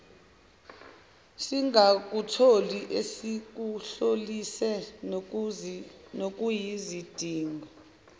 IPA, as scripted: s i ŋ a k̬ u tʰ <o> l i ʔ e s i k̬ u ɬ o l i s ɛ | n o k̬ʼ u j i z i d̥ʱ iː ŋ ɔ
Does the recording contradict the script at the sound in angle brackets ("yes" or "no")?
no